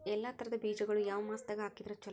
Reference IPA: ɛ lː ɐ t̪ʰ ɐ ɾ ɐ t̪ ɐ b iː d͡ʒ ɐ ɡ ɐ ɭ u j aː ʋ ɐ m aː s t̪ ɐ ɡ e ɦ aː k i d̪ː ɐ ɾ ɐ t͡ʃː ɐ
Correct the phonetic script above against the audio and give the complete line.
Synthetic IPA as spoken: ɛ lː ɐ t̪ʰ ɐ ɾ ɐ d̪ ɐ b iː d͡ʒ ɐ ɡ ɐ ɭ u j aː ʋ ɐ m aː s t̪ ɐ ɡ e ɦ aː k i d̪ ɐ ɾ ɐ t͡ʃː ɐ